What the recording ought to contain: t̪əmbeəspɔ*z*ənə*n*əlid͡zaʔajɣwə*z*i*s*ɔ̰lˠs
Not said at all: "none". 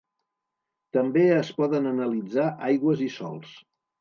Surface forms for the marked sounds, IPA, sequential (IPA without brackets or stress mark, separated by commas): ð, n, z, s